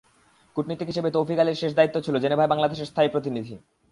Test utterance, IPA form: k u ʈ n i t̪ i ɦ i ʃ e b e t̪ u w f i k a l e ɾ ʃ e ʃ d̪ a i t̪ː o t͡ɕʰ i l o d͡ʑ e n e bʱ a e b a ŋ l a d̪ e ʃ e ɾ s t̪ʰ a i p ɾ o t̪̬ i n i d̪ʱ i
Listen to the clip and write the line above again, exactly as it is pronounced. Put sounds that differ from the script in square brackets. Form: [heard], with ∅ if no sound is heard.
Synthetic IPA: k u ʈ n i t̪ i ɦ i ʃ e b e t̪ [o] w f i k a l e ɾ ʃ e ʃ d̪ a i t̪ː o t͡ɕʰ i l o d͡ʑ e n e bʱ a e b a ŋ l a d̪ e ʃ e ɾ s t̪ʰ a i p ɾ o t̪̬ i n i d̪ʱ i

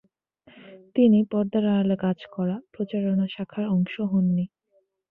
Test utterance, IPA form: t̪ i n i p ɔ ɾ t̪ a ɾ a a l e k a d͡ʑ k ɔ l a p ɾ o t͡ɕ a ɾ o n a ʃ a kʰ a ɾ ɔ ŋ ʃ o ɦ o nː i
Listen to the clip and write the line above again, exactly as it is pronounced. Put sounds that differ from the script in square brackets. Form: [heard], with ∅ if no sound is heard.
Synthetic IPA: t̪ i n i p ɔ ɾ [d̪] a ɾ a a l e k a d͡ʑ k ɔ [ɾ] a p ɾ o t͡ɕ a ɾ o n a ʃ a kʰ a ɾ ɔ ŋ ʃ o ɦ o nː i

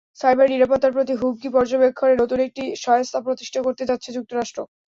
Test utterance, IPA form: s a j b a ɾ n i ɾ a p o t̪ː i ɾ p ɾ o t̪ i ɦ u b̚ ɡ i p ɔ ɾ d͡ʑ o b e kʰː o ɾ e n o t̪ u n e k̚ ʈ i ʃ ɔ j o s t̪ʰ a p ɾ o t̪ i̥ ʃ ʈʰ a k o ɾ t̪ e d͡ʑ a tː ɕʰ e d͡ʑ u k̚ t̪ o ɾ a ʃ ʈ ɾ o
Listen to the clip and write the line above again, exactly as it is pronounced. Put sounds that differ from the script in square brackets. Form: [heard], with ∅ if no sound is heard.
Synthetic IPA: s a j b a ɾ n i ɾ a p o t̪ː [a] ɾ p ɾ o t̪ i ɦ u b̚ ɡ i p ɔ ɾ d͡ʑ o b e kʰː o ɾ e n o t̪ u n e k̚ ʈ i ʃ ɔ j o s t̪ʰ a p ɾ o t̪ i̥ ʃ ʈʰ a k o ɾ t̪ e d͡ʑ a tː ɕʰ e d͡ʑ u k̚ t̪ o ɾ a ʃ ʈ ɾ o

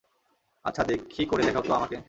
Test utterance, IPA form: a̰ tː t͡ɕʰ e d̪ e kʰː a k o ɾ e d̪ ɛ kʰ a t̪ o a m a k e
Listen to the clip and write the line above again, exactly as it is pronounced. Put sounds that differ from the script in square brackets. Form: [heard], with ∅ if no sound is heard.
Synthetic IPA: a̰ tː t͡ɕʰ [a] d̪ e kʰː [i] k o ɾ e d̪ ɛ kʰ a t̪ o a m a k e

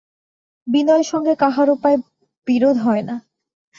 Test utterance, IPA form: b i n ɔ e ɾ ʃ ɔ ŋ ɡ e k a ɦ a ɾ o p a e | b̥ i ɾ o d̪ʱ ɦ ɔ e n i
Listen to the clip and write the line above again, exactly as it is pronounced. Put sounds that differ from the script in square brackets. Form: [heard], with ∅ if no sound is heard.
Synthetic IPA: b i n ɔ e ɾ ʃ ɔ ŋ ɡ e k a ɦ a ɾ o p a e | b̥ i ɾ o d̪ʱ ɦ ɔ e n [a]

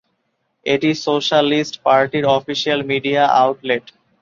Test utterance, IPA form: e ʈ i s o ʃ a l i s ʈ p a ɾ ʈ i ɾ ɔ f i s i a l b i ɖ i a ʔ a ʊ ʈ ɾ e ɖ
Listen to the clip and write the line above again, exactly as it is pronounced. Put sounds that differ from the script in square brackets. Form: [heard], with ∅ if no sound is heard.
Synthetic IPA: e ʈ i s o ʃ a l i s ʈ p a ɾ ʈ i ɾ ɔ f i [ʃ] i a l [m] i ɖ i a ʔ a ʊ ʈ [l] e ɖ

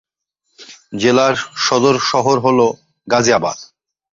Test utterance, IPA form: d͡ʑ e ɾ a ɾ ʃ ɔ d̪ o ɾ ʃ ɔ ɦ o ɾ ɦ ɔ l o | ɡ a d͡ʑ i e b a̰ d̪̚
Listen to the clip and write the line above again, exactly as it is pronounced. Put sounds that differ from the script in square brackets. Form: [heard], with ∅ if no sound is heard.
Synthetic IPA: d͡ʑ e [l] a ɾ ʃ ɔ d̪ o ɾ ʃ ɔ ɦ o ɾ ɦ [o] l o | ɡ a d͡ʑ i [a] b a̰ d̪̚

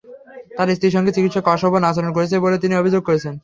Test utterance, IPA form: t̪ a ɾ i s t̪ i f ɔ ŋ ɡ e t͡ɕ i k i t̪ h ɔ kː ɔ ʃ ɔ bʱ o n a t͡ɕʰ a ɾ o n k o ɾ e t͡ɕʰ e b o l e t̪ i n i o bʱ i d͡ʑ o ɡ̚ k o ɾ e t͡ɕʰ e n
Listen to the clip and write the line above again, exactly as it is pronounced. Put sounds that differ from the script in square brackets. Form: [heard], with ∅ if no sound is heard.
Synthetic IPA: t̪ a ɾ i s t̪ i [ʃ] ɔ ŋ ɡ e t͡ɕ i k i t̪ [ʃ] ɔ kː ɔ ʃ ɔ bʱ o n a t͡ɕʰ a ɾ o n k o ɾ e t͡ɕʰ e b o l e t̪ i n i o bʱ i d͡ʑ o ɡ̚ k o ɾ e t͡ɕʰ e n

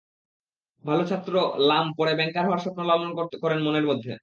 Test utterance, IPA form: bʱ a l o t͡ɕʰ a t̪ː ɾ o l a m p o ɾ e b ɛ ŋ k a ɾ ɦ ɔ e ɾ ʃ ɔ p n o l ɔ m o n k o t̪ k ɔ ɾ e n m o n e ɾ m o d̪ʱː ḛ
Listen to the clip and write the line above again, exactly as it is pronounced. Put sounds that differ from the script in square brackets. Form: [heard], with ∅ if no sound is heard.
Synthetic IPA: bʱ a l o t͡ɕʰ a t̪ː ɾ o l a m p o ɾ e b ɛ ŋ k a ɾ ɦ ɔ [a] ɾ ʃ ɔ p n o l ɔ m o n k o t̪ k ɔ ɾ e n m o n e ɾ m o d̪ʱː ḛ

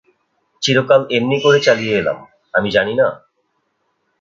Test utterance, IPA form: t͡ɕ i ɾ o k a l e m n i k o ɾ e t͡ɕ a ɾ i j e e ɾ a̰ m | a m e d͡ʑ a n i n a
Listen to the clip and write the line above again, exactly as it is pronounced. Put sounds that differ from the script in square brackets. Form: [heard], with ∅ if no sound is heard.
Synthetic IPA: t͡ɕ i ɾ o k a l e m n i k o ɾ e t͡ɕ a [l] i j e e [l] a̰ m | a m [i] d͡ʑ a n i n a

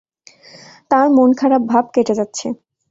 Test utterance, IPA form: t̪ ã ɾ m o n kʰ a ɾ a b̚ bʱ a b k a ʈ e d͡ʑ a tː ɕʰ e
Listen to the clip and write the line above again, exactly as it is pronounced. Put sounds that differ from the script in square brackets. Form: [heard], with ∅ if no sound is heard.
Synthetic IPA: t̪ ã ɾ m o n kʰ a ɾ a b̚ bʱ a b k [e] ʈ e d͡ʑ a tː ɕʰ e

